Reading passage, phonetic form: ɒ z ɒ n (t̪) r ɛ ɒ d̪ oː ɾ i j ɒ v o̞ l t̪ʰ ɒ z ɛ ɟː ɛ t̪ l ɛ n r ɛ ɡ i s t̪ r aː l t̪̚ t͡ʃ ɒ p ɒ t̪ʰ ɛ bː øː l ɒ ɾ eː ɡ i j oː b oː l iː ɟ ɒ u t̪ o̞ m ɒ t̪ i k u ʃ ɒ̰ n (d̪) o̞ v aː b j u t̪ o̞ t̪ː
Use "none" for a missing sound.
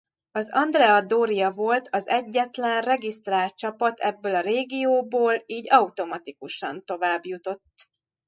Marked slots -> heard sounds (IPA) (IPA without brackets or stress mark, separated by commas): d̪, t̪